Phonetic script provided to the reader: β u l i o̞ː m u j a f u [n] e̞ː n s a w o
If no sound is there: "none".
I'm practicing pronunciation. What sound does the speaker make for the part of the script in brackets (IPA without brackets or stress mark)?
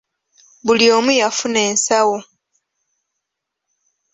n